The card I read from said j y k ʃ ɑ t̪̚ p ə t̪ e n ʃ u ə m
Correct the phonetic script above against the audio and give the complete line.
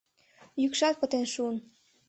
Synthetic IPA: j y k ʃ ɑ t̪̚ p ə t̪ e n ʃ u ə n